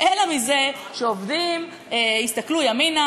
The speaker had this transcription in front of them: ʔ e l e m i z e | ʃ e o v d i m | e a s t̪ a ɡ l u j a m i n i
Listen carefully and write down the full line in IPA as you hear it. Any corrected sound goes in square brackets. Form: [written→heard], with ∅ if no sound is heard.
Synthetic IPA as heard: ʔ e l [e→a] m i z e | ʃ e o v d i m | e [a→i] s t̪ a [ɡ→k] l u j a m i n [i→a]